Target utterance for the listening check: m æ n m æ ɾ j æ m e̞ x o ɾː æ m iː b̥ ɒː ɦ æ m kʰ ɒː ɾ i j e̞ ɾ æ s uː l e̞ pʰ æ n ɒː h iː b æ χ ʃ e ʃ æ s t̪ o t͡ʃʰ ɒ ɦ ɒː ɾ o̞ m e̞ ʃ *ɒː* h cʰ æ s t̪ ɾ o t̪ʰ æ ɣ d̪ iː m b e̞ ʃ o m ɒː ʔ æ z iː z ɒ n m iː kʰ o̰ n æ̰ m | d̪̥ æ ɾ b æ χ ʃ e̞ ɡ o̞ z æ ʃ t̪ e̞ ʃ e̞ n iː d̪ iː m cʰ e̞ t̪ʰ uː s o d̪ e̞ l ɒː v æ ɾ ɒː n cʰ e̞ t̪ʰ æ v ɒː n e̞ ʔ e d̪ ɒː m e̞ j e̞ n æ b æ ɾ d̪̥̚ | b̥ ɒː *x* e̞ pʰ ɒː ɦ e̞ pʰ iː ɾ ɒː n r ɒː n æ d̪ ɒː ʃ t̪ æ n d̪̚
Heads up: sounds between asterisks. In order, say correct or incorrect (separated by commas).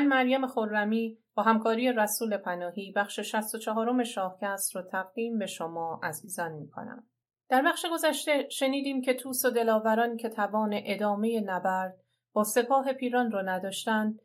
correct, incorrect